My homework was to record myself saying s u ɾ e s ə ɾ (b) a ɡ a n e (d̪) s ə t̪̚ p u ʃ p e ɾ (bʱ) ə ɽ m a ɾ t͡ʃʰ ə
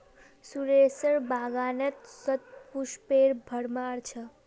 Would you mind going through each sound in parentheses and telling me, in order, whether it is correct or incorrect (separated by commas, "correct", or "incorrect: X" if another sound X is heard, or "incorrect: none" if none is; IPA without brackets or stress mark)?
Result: correct, incorrect: t̪, correct